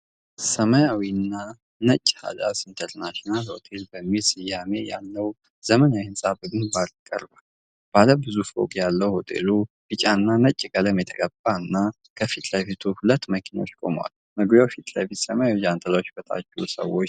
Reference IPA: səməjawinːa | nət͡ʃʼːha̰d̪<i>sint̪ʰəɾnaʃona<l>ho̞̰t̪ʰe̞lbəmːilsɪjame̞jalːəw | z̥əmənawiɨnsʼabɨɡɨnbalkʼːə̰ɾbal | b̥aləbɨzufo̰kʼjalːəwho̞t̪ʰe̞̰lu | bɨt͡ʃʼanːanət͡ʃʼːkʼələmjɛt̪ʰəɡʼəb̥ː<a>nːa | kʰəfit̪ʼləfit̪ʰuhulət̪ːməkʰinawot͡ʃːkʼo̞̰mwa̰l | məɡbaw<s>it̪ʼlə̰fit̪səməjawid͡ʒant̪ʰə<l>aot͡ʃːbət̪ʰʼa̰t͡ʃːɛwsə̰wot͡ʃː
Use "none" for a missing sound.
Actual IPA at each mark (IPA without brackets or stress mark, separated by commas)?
a, l, a, f, l